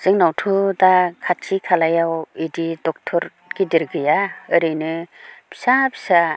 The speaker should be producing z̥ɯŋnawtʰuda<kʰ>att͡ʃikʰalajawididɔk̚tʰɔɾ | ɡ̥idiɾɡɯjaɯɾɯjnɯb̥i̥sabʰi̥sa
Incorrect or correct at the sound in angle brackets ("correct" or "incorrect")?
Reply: correct